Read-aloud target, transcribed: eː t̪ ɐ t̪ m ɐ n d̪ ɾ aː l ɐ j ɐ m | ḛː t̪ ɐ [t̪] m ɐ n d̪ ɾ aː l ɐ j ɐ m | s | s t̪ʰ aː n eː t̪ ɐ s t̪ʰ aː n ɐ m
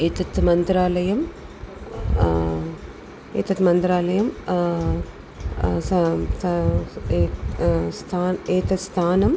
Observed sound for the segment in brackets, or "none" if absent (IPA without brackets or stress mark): t̪